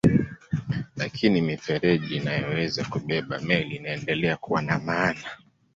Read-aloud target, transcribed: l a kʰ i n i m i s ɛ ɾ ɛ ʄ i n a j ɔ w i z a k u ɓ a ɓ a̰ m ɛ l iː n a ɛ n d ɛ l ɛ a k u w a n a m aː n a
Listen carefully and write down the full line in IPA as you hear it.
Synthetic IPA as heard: l a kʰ i n i m i f ɛ ɾ ɛ ʄ i n a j ɔ w ɛ z a k u ɓ ɛ ɓ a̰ m ɛ l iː n a ɛ n d ɛ l ɛ a k u w a n a m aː n a